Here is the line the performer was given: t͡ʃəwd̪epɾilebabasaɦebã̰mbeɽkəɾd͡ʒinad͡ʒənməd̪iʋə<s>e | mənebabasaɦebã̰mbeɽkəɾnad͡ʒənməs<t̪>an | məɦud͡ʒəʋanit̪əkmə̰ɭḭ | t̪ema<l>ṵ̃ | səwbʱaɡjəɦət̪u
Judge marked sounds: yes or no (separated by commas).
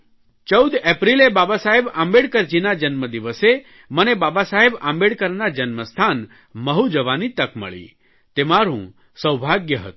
yes, no, no